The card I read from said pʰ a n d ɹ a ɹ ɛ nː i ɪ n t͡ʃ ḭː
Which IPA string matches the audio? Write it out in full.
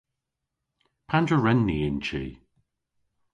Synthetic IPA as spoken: pʰ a n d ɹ ə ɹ ɛ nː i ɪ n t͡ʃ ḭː